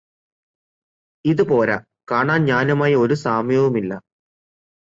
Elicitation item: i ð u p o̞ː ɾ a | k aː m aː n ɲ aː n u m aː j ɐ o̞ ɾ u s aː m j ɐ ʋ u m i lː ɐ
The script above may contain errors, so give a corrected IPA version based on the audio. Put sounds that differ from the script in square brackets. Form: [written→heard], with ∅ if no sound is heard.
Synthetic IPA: i ð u p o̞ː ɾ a | k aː [m→ɳ] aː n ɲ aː n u m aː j ɐ o̞ ɾ u s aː m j ɐ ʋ u m i lː ɐ